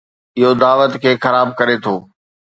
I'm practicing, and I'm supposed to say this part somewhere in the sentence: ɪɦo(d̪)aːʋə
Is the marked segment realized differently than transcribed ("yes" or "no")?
no